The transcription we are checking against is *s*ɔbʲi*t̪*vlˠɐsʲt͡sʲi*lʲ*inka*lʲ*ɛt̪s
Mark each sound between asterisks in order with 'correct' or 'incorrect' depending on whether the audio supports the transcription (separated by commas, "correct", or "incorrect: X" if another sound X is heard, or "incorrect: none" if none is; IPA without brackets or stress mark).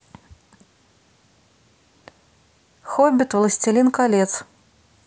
incorrect: x, correct, correct, correct